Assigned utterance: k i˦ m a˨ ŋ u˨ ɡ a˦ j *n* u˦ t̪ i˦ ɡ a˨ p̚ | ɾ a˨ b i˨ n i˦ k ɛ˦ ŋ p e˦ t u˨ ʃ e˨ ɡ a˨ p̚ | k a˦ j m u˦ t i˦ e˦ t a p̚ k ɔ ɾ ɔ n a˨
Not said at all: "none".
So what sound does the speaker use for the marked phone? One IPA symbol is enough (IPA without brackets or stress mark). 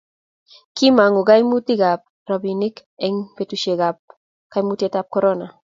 m